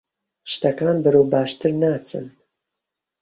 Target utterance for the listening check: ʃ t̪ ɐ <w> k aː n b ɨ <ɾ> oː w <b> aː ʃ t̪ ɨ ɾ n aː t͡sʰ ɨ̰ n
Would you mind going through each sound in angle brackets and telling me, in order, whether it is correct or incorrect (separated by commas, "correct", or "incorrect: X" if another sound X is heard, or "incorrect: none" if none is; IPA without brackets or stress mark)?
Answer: incorrect: none, correct, correct